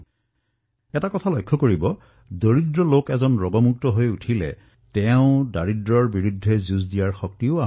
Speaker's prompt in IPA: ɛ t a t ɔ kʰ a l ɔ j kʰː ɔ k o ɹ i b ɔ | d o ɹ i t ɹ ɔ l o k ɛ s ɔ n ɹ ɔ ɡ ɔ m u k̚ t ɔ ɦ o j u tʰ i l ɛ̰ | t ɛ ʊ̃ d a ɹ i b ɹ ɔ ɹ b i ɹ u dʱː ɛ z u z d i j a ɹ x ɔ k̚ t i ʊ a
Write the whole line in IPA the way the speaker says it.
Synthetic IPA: ɛ t a k ɔ tʰ a l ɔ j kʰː ɔ k o ɹ i b ɔ | d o ɹ i d ɹ ɔ l o k ɛ z ɔ n ɹ ɔ ɡ ɔ m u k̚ t ɔ ɦ o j u tʰ i l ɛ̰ | t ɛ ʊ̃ d a ɹ i d ɹ ɔ ɹ b i ɹ u dʱː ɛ z u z d i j a ɹ x ɔ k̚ t i ʊ a